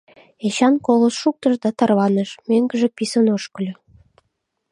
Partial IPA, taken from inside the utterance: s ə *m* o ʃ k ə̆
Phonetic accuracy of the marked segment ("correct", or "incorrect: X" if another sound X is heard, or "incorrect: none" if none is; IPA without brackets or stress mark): incorrect: n